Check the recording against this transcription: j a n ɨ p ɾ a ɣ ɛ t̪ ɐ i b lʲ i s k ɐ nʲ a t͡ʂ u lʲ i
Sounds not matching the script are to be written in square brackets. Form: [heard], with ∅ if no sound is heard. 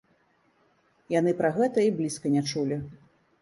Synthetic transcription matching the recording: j a n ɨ p ɾ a ɣ ɛ t̪ ɐ i b lʲ i s k ɐ nʲ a t͡ʂ u lʲ i